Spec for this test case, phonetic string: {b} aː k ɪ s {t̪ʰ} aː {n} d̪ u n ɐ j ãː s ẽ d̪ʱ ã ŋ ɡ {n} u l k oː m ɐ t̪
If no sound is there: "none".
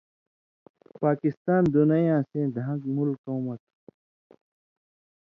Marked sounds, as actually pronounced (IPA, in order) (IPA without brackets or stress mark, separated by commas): p, t̪, n, m